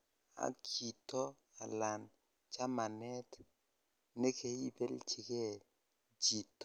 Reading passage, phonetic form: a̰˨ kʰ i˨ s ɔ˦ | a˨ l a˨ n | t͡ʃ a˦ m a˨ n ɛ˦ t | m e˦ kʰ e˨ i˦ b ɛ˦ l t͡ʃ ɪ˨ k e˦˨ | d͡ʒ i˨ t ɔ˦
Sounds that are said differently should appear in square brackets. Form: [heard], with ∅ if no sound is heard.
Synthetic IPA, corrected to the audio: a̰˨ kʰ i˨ [t] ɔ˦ | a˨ l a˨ n | t͡ʃ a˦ m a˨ n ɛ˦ t | [n] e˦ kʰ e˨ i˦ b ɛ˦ l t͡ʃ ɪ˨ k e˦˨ | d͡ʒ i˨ t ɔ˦

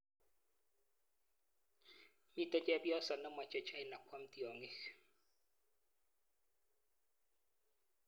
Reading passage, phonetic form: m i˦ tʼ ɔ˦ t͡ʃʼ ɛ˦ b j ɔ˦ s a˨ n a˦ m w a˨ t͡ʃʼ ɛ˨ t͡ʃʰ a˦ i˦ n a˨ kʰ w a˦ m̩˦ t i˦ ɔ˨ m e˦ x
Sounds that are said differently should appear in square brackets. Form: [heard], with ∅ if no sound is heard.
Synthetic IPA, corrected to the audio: m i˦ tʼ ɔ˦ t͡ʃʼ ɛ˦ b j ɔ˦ s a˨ n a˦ m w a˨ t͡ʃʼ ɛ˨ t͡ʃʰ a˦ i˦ n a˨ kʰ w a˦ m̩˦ t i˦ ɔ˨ [ŋ] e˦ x

